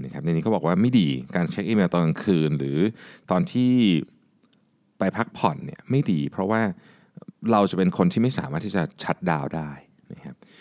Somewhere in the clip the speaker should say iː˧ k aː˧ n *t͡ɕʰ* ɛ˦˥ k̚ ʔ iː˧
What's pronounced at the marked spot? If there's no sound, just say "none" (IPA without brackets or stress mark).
t͡ɕʰ